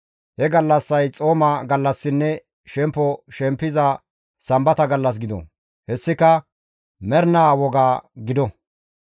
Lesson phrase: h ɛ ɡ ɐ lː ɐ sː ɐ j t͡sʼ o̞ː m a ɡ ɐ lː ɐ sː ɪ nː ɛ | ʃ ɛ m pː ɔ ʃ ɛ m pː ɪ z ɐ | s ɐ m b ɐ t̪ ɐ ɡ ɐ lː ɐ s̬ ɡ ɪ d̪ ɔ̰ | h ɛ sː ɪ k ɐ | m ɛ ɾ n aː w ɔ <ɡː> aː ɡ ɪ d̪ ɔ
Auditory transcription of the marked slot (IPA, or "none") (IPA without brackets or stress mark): ɡ